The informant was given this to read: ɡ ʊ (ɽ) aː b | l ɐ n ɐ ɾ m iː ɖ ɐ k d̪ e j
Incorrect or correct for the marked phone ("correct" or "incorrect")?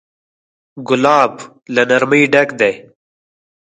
incorrect